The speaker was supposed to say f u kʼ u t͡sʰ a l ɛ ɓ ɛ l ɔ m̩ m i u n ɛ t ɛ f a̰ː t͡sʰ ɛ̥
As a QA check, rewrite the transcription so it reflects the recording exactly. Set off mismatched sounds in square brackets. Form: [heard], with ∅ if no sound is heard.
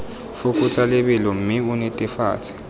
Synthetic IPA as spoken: f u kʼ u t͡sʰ a l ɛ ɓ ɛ l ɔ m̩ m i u n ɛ [tʼ] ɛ f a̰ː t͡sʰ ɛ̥